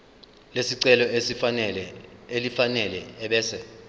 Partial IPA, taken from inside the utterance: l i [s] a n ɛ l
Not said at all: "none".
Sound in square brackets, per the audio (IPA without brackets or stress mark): f